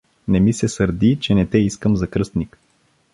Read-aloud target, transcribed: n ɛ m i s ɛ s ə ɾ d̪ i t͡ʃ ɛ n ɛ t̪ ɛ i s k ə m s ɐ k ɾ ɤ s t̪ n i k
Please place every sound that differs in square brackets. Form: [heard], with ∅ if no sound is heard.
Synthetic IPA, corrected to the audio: n ɛ m i s ɛ s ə ɾ d̪ i t͡ʃ ɛ n ɛ t̪ ɛ i s k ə m [z] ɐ k ɾ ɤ s t̪ n i k